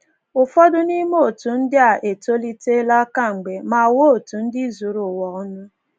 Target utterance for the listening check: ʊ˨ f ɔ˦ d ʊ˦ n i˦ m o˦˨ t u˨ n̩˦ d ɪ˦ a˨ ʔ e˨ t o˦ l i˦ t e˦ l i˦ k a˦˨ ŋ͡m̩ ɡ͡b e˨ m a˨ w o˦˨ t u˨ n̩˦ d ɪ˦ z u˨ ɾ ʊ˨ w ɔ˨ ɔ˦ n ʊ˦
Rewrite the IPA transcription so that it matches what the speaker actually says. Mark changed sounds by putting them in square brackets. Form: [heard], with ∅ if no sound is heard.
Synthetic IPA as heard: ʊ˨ f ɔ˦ d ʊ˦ n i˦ m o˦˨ t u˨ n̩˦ d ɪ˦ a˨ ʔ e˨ t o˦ l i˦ t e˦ l [a˦] k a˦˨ ŋ͡m̩ ɡ͡b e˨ m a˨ w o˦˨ t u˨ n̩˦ d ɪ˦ z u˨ ɾ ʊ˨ w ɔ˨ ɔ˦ n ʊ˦

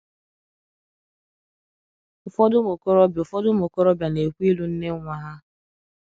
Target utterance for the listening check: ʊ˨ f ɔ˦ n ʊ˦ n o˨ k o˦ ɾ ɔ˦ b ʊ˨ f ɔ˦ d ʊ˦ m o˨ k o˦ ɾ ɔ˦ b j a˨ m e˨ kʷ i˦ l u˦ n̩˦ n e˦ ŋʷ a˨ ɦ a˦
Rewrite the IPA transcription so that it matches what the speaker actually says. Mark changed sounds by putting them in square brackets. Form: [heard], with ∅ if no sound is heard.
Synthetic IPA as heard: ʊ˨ f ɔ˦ [d] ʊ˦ [m] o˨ k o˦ ɾ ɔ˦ b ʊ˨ f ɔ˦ d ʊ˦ m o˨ k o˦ ɾ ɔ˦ b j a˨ [n] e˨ kʷ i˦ l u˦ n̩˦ n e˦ ŋʷ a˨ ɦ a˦

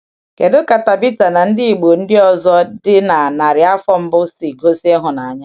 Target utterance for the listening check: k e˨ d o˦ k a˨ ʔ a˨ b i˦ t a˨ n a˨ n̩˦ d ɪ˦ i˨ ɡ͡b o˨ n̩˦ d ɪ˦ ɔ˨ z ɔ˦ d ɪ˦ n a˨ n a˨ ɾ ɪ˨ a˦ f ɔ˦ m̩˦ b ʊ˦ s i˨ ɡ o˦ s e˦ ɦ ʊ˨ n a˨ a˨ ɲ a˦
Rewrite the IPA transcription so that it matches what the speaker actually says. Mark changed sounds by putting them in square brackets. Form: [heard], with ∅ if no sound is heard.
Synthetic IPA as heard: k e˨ d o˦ k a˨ [t] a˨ b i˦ t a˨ n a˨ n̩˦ d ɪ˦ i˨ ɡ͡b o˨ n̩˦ d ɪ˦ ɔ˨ z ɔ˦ d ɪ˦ n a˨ n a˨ ɾ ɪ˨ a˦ f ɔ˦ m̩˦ b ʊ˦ s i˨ ɡ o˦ s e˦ ɦ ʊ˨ n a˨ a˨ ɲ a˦

